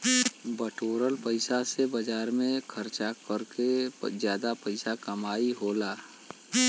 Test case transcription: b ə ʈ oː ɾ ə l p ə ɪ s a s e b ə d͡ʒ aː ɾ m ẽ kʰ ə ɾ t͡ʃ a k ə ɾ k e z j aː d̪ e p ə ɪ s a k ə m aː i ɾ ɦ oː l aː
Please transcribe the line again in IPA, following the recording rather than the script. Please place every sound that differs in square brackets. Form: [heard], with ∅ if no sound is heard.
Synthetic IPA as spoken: b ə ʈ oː ɾ ə l p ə ɪ s a s e b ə d͡ʒ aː ɾ m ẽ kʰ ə ɾ t͡ʃ a k ə ɾ k e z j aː d̪ [a] p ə ɪ s a k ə m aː i [∅] ɦ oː l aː